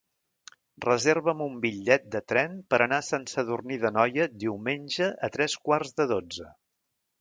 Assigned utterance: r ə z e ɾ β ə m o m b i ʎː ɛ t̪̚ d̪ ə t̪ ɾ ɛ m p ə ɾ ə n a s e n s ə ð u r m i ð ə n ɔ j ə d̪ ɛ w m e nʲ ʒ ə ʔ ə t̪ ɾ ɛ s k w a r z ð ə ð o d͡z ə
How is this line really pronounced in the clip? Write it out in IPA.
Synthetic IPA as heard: r ə z e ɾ β ə m u m b i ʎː ɛ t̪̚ d̪ ə t̪ ɾ ɛ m p ə ɾ ə n a s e n s ə ð u r n i ð ə n ɔ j ə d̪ i w m e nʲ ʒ ə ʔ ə t̪ ɾ ɛ s k w a r z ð ə ð o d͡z ə